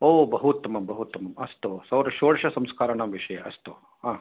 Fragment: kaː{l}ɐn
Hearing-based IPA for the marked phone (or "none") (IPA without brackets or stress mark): ɾ